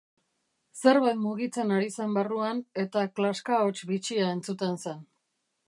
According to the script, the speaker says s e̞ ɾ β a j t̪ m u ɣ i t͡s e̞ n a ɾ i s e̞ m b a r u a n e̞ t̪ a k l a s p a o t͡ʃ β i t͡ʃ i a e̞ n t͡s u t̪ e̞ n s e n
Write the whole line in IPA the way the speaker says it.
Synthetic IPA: s e̞ ɾ β a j t̪ m u ɣ i t͡s e̞ n a ɾ i s e̞ m b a r u a n e̞ t̪ a k l a s k a o t͡ʃ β i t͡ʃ i a e̞ n t͡s u t̪ e̞ n s e n